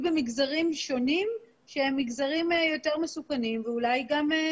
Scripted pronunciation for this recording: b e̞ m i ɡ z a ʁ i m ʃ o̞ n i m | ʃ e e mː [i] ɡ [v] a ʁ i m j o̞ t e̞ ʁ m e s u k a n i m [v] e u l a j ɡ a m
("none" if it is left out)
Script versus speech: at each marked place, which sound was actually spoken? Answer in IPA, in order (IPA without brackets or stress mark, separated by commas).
i, z, v